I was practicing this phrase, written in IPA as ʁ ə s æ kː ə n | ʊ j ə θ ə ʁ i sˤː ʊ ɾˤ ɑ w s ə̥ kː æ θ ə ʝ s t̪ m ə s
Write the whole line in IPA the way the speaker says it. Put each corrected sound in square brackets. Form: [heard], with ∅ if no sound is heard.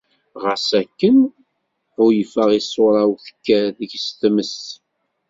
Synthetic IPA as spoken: ʁ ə s æ kː ə n | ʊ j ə [f] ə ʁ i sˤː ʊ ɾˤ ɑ w [θ] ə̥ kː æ [ð] ə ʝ s t̪ m ə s